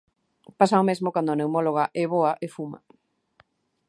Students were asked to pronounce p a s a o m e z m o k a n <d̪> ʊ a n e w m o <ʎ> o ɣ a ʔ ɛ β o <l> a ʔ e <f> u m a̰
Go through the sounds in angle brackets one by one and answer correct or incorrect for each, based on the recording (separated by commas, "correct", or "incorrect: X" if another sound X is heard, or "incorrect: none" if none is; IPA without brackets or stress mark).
correct, incorrect: l, incorrect: none, correct